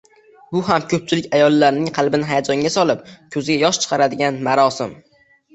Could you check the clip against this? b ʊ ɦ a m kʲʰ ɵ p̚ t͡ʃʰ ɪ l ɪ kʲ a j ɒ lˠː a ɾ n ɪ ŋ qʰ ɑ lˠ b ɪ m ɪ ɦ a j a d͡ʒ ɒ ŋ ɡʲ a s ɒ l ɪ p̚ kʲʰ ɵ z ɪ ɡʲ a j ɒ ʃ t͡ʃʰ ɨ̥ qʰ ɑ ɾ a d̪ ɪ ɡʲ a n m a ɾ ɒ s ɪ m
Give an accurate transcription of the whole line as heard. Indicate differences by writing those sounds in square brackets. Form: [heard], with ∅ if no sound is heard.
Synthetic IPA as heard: b ʊ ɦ a m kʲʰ ɵ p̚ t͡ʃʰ ɪ l ɪ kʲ a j ɒ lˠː a ɾ n ɪ ŋ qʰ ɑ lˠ b ɪ [n] ɪ ɦ a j a d͡ʒ ɒ ŋ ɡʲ a s ɒ l ɪ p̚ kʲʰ ɵ z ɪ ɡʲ a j ɒ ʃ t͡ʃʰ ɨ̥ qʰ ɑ ɾ a d̪ ɪ ɡʲ a n m a ɾ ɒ s ɪ m